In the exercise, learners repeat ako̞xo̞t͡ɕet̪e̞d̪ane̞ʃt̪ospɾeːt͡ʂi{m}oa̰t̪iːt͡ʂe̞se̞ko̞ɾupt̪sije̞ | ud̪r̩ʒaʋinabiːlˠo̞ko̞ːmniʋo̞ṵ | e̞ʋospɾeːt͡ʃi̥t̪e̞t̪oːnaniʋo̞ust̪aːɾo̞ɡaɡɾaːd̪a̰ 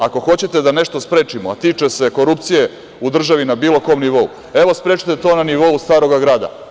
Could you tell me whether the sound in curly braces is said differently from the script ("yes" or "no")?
no